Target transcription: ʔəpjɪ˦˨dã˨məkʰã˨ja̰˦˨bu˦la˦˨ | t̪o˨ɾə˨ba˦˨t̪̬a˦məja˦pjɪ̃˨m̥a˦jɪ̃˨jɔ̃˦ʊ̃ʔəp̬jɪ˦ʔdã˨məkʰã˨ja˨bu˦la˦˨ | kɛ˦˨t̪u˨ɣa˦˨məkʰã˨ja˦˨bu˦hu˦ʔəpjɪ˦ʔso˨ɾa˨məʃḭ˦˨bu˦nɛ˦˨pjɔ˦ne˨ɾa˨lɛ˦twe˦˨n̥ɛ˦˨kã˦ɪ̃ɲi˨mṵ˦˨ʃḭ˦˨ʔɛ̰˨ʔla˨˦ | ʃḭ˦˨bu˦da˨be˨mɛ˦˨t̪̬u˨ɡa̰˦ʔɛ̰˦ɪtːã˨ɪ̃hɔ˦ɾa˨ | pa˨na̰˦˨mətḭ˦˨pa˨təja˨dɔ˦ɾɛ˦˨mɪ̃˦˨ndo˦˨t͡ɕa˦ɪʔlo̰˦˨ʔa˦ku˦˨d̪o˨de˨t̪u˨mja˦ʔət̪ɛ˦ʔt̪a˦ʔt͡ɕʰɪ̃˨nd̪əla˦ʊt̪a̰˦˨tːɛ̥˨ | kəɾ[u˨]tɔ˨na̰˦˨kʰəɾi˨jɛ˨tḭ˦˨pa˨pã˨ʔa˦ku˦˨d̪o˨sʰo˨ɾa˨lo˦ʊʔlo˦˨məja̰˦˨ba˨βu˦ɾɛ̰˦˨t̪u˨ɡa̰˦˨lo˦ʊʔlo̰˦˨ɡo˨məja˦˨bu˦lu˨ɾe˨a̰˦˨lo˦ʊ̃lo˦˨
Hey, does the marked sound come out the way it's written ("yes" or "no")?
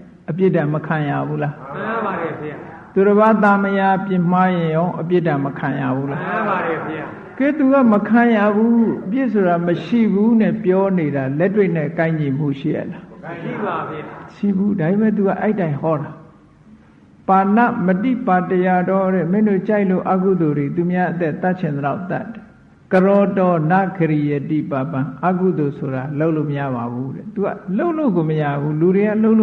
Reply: no